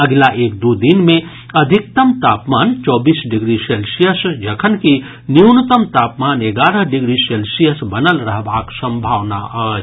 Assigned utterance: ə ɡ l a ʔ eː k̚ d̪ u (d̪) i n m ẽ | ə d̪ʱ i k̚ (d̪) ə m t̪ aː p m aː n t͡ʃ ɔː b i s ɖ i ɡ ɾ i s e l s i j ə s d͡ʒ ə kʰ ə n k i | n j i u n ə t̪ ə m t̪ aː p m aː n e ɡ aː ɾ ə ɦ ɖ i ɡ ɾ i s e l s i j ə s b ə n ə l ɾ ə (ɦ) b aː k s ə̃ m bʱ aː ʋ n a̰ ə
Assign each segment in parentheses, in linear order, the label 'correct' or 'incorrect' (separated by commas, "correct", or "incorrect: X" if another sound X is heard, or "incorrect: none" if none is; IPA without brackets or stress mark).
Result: correct, incorrect: t̪, correct